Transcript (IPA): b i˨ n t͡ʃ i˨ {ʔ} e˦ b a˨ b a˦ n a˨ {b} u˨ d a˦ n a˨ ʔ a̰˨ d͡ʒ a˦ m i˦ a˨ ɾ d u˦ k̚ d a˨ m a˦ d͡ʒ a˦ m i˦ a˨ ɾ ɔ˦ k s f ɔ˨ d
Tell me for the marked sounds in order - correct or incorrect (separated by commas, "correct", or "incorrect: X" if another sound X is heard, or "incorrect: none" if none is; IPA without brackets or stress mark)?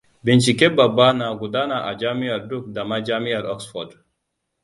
incorrect: k, incorrect: ɡ